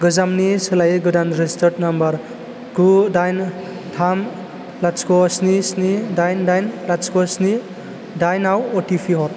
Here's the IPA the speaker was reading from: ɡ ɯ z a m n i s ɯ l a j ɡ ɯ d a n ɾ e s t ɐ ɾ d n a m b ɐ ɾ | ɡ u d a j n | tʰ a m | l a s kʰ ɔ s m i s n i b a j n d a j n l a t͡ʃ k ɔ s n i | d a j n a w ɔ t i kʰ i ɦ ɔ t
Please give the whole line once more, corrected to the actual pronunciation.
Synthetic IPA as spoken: ɡ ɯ z a m n i s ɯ l a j ɡ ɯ d a n ɾ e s t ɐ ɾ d n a m b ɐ ɾ | ɡ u d a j n | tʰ a m | l a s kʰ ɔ s n i s n i d a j n d a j n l a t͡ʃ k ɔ s n i | d a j n a w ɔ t i pʰ i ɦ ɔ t